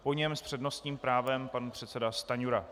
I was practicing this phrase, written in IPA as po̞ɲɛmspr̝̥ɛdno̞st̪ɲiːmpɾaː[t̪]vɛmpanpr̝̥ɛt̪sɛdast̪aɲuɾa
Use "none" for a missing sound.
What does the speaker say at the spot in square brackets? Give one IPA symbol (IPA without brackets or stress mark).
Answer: none